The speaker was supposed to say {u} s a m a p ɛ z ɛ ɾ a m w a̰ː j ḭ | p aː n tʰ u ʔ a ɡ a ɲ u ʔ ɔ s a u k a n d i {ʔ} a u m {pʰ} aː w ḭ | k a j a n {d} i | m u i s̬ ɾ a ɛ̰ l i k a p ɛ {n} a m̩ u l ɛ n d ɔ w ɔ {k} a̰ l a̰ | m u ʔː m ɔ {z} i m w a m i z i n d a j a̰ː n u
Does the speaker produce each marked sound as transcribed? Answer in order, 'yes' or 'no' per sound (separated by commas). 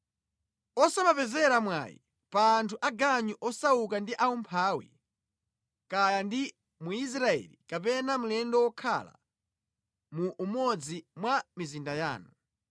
no, yes, yes, yes, yes, no, no